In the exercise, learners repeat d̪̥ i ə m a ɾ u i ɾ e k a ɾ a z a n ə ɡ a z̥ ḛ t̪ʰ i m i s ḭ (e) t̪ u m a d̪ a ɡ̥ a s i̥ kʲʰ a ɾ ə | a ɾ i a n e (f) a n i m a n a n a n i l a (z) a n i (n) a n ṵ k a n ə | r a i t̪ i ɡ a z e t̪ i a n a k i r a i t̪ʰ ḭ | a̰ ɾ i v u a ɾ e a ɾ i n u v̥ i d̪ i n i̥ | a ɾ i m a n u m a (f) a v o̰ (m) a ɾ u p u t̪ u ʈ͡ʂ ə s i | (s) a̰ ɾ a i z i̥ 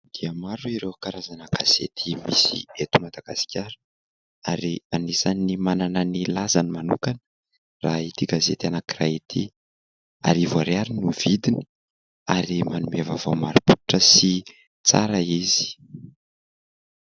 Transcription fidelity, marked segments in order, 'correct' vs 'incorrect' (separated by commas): correct, incorrect, correct, incorrect, incorrect, correct, incorrect